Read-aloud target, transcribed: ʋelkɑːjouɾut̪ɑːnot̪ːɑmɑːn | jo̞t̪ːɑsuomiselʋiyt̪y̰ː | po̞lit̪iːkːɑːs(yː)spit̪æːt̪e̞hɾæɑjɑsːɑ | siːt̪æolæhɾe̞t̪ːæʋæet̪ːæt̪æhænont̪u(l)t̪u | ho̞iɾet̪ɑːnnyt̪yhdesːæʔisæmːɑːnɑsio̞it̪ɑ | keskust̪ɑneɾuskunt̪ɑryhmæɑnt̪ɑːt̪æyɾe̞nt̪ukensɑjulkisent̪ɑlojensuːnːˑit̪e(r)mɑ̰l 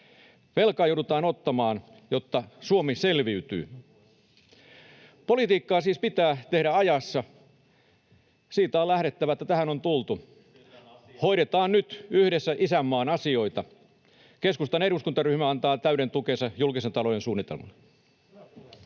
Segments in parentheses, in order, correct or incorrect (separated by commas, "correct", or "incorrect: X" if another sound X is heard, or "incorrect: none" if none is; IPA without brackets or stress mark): incorrect: iː, correct, incorrect: l